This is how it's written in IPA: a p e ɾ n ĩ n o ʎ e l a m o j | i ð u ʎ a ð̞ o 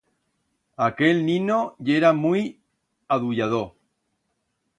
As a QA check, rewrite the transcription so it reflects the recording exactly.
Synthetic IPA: a k e l n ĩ n o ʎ e ɾ a m u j | a ð u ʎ a ð̞ o